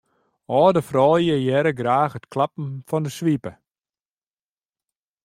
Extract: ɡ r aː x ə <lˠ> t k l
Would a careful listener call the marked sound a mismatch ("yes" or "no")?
yes